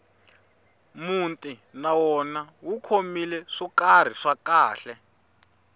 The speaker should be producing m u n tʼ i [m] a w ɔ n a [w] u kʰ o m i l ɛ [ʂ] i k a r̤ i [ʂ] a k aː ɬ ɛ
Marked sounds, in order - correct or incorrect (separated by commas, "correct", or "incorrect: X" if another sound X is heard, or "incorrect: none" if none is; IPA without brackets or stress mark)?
incorrect: n, correct, correct, correct